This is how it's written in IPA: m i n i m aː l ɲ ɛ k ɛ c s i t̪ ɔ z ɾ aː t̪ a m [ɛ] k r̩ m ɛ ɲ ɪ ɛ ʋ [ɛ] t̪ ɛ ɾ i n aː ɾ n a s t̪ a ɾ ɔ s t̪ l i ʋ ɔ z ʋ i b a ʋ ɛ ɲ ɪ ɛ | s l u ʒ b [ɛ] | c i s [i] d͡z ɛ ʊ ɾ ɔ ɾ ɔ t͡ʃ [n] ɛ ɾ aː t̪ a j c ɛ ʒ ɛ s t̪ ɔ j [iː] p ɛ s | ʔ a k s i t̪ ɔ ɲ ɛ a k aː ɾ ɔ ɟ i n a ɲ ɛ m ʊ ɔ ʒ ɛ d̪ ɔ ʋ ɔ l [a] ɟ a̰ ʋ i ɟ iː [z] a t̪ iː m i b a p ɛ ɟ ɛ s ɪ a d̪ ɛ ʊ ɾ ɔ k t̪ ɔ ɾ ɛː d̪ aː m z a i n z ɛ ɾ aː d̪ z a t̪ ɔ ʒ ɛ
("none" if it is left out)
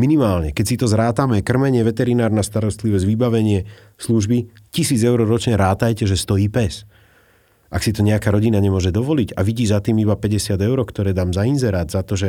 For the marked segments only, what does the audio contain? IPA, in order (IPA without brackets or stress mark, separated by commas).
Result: ɛ, ɛ, i, iː, ɲ, iː, i, z